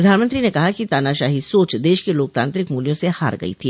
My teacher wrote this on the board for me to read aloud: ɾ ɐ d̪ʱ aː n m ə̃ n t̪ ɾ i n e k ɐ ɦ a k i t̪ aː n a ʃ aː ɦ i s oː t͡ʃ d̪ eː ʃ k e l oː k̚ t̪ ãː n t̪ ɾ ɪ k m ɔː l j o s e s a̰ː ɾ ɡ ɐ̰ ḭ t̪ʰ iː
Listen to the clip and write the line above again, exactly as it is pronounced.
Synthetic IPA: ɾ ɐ d̪ʱ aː n m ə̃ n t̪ ɾ i n e k ɐ ɦ a k i t̪ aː n a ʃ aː ɦ i s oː t͡ʃ d̪ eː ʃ k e l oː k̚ t̪ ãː n t̪ ɾ ɪ k m uː l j õ s e h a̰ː ɾ ɡ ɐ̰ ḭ t̪ʰ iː

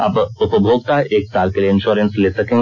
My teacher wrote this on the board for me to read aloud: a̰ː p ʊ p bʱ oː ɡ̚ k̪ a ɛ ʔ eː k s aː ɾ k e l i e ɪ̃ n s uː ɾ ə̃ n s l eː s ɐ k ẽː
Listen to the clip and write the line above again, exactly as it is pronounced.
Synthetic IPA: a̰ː p ʊ p bʱ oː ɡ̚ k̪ a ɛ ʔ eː k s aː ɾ k e l i e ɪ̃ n ʃ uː ɾ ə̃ n s l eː s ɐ k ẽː

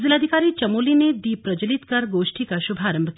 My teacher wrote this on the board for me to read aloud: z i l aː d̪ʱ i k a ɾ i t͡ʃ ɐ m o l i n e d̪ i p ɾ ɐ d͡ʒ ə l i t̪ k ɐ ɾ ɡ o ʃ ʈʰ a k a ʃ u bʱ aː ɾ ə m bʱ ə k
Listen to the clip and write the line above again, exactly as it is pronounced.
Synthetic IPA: z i l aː d̪ʱ i k a ɾ i t͡ʃ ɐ m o l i n e d̪ i p ɾ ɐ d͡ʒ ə l i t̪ k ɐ ɾ ɡ o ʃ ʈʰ i k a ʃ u bʱ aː ɾ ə m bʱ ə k

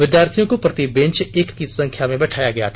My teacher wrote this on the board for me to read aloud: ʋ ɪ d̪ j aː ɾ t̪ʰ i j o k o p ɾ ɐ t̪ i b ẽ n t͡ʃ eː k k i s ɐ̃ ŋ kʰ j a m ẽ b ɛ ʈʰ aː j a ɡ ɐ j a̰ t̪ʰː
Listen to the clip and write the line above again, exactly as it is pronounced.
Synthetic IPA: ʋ ɪ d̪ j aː ɾ t̪ʰ i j õ k o p ɾ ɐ t̪ i b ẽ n t͡ʃ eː k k i s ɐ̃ ŋ kʰ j a m ẽ b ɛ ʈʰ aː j a ɡ ɐ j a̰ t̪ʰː

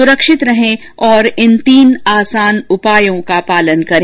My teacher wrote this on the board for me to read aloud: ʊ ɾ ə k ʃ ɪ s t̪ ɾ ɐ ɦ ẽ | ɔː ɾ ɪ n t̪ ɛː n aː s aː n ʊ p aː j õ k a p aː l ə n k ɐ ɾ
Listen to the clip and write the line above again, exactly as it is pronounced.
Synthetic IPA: ʊ ɾ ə k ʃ ɪ t̪ ɾ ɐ ɦ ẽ | ɔː ɾ ɪ n t̪ iː n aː s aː n ʊ p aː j õ k a p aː l ə n k ɐ ɾ

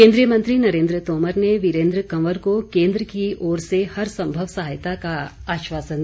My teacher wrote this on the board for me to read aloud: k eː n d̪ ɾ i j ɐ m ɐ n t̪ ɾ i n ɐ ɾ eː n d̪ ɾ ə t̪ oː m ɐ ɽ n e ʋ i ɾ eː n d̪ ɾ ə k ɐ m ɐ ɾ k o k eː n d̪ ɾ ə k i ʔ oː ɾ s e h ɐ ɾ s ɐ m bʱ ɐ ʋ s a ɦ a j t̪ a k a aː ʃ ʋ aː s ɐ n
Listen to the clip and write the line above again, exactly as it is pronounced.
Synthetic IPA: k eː n d̪ ɾ i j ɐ m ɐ n t̪ ɾ i n ɐ ɾ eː n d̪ ɾ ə t̪ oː m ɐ ɾ n e ʋ i ɾ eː n d̪ ɾ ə k ɐ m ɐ ɾ k o k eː n d̪ ɾ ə k i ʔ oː ɾ s e h ɐ ɾ s ɐ m bʱ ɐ ʋ s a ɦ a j t̪ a k a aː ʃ ʋ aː s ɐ n

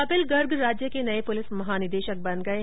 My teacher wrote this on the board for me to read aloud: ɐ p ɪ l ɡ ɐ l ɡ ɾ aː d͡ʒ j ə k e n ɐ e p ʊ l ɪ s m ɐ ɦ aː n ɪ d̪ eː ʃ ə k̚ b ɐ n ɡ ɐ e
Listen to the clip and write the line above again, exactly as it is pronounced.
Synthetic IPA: ɐ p ɪ l ɡ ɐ ɾ ɡ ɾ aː d͡ʒ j ə k e n ɐ e p ʊ l ɪ s m ɐ ɦ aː n ɪ d̪ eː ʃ ə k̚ b ɐ n ɡ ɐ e

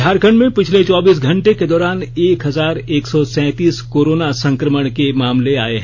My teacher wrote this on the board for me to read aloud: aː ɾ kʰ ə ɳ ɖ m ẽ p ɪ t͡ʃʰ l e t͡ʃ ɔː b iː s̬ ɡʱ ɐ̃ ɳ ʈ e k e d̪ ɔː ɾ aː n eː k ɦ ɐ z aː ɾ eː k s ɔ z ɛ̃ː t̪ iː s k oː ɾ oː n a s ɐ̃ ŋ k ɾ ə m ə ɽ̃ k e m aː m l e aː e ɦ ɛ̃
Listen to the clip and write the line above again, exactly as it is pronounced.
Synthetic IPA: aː ɾ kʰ ə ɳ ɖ m ẽ p ɪ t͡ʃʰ l e t͡ʃ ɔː b iː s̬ ɡʱ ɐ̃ ɳ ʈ e k e d̪ ɔː ɾ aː n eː k ɦ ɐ z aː ɾ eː k s ɔ s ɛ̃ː t̪ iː s k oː ɾ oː n a s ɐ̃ ŋ k ɾ ə m ə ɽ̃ k e m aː m l e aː e ɦ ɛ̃

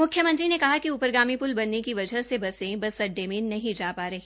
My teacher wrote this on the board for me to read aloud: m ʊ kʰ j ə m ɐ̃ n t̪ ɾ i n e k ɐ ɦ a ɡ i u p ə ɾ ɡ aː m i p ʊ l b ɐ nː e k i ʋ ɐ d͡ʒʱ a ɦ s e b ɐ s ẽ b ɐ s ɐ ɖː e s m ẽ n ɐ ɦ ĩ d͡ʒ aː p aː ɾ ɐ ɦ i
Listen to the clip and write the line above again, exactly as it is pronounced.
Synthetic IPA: m ʊ kʰ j ə m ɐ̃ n t̪ ɾ i n e k ɐ ɦ a k i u p ə ɾ ɡ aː m i p ʊ l b ɐ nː e k i ʋ ɐ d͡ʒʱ ə ɦ s e b ɐ s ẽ b ɐ s ɐ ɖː e m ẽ n ɐ ɦ ĩ d͡ʒ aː p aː ɾ ɐ ɦ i

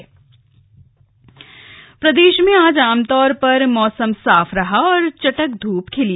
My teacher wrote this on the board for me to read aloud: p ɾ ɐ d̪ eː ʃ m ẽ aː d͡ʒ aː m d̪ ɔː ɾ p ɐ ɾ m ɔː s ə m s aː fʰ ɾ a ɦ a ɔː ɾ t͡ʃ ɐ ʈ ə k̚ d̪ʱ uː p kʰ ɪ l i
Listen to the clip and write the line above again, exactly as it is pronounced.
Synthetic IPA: p ɾ ɐ d̪ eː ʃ m ẽ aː d͡ʒ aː m t̪ ɔː ɾ p ɐ ɾ m ɔː s ə m s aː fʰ ɾ ɐ ɦ a ɔː ɾ t͡ʃ ɐ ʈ ə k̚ d̪ʱ uː p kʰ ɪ l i

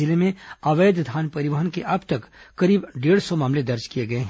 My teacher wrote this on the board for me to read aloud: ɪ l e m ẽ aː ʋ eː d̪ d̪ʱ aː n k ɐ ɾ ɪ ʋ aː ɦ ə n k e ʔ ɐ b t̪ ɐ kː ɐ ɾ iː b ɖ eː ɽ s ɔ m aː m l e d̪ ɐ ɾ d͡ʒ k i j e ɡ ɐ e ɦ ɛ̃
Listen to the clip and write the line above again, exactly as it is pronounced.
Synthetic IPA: ɪ l e m ẽ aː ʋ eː d̪ d̪ʱ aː n p ɐ ɾ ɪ ʋ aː ɦ ə n k e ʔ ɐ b t̪ ɐ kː ɐ ɾ iː b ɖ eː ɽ s ɔ m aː m l e d̪ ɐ ɾ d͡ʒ k i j e ɡ ɐ e ɦ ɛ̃

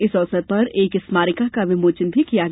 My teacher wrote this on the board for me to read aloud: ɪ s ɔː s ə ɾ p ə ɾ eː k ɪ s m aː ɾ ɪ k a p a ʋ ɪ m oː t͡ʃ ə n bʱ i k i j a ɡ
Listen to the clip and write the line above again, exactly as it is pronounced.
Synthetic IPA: ɪ s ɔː s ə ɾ p ɐ ɾ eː k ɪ s m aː ɾ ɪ k a k a ʋ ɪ m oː t͡ʃ ə n bʱ i k i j a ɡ

